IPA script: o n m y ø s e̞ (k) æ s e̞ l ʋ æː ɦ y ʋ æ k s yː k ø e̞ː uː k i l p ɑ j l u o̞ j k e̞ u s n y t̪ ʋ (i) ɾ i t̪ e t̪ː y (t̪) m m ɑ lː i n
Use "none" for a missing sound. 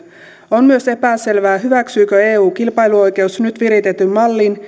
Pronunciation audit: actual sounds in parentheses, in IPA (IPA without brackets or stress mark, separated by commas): p, i, none